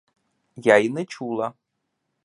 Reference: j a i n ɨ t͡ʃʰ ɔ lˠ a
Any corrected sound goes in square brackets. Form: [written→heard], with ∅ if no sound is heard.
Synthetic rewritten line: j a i n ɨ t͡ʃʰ [ɔ→u] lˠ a